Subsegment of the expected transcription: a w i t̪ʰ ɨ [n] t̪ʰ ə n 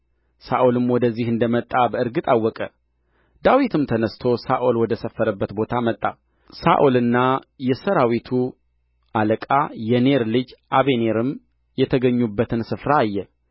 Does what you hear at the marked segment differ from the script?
yes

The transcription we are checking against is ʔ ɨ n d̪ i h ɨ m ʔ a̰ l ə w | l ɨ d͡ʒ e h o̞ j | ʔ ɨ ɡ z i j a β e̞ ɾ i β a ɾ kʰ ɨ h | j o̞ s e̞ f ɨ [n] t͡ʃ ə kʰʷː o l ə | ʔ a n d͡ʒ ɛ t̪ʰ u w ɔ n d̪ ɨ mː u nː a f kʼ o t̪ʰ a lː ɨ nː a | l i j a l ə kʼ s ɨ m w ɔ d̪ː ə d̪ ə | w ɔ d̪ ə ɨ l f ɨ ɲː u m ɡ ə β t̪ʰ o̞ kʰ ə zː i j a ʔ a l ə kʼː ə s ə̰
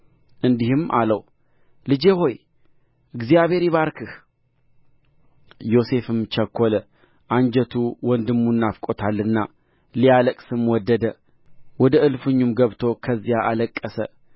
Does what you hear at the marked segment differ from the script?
yes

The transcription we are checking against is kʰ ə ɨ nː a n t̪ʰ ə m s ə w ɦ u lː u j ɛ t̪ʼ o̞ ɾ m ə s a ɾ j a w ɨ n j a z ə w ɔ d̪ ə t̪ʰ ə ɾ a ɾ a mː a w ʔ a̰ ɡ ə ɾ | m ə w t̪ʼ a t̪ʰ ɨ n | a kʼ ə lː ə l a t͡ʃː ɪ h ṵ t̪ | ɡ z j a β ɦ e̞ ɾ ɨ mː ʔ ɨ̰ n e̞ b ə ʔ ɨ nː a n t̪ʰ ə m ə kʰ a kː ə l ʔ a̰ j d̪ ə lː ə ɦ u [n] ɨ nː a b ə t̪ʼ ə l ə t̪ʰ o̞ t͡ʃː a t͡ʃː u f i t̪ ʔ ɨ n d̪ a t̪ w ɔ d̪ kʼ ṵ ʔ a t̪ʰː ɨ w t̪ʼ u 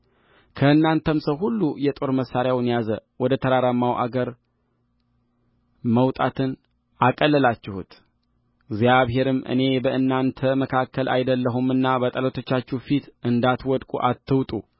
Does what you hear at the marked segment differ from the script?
yes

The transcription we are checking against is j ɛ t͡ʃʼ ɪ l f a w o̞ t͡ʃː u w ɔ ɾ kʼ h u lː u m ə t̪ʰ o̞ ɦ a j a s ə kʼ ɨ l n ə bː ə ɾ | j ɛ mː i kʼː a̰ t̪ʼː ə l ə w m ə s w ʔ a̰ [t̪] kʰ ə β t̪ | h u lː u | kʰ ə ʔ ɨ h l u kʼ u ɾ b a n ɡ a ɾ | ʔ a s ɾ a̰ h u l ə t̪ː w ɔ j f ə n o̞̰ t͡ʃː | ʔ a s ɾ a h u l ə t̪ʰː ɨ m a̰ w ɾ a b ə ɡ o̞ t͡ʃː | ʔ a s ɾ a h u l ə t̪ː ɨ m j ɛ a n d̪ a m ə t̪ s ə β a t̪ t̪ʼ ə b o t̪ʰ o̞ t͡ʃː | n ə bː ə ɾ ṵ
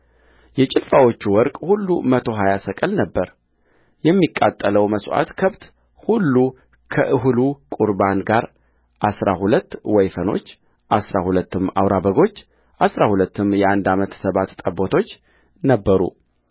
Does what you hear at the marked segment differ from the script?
no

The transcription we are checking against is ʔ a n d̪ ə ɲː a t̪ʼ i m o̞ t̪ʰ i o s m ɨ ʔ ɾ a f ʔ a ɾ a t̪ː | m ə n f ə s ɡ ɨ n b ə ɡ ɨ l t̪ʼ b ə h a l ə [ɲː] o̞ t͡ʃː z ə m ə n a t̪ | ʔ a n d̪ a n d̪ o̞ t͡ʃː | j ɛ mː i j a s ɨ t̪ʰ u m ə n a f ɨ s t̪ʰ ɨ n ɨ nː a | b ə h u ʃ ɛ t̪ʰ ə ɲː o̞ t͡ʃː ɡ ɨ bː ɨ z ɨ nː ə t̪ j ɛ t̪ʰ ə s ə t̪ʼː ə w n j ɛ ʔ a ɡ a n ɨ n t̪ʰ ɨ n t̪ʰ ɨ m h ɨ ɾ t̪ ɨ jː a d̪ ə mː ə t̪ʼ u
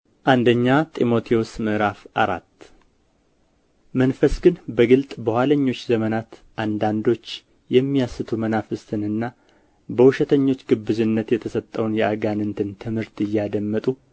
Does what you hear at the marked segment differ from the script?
no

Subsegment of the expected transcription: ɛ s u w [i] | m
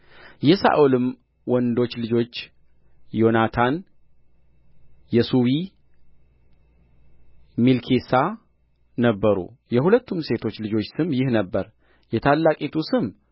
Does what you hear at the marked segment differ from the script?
no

